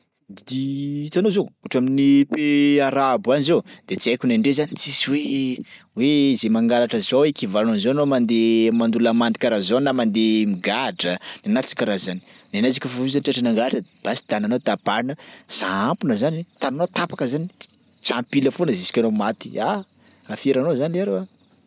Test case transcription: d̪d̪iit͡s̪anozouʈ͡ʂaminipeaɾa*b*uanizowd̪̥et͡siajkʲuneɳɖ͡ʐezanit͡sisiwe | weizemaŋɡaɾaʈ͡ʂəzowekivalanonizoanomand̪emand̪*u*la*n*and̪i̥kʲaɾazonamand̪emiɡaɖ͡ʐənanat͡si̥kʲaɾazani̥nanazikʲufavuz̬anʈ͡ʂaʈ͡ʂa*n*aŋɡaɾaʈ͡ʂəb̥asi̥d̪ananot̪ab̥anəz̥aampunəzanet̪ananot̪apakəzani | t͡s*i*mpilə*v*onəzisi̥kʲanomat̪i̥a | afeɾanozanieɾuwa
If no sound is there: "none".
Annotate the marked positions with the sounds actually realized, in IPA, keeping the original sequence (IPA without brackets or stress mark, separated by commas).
b, u, m, n, a, f